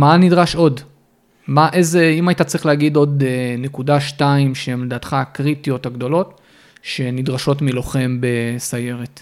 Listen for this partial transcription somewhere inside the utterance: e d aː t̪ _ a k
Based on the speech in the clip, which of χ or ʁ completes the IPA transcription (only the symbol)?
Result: χ